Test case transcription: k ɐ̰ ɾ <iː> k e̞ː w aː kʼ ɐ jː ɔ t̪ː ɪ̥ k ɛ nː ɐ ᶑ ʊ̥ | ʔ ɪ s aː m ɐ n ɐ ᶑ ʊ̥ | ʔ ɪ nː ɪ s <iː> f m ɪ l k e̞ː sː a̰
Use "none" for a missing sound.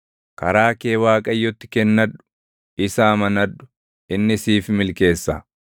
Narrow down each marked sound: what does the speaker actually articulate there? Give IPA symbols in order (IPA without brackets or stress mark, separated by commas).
aː, iː